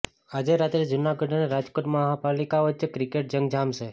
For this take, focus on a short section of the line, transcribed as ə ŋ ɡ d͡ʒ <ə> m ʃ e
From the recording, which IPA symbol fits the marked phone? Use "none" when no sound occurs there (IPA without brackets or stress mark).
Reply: a